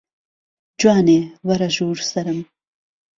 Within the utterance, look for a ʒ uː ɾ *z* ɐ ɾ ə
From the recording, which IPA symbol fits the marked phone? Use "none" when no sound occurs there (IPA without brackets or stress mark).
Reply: s